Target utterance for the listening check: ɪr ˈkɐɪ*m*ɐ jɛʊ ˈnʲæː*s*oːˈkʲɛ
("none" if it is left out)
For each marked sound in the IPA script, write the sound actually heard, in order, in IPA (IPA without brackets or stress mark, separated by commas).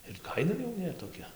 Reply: n, t